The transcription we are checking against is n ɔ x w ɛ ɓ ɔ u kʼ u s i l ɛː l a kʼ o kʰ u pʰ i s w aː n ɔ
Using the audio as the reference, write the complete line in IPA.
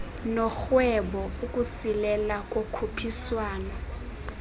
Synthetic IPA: n ɔ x w ɛ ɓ ɔ u kʼ u s i l ɛ l a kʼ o kʰ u pʰ i s w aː n ɔ